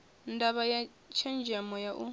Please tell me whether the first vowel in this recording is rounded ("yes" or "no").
no